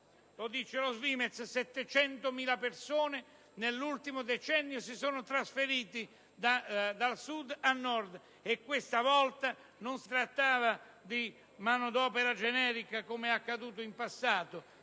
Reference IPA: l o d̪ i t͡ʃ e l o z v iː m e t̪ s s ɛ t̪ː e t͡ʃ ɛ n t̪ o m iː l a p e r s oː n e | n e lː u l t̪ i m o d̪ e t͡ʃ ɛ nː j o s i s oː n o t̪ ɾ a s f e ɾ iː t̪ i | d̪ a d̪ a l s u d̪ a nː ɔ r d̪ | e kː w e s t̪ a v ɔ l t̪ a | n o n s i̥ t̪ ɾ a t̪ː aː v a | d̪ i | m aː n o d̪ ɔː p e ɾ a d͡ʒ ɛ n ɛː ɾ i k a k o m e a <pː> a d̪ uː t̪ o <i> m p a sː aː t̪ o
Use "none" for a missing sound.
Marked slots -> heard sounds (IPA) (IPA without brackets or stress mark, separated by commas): kː, i